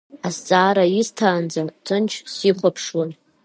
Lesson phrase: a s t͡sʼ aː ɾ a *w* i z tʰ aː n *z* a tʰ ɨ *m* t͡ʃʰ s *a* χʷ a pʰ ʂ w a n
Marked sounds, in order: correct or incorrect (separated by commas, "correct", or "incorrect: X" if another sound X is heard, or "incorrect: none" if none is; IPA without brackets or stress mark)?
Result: incorrect: none, incorrect: d͡z, incorrect: n, incorrect: i